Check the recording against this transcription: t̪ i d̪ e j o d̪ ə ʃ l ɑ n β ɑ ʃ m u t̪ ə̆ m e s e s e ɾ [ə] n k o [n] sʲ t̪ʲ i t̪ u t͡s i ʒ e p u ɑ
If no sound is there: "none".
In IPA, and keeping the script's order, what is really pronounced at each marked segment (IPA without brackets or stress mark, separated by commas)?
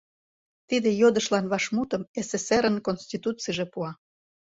ə, n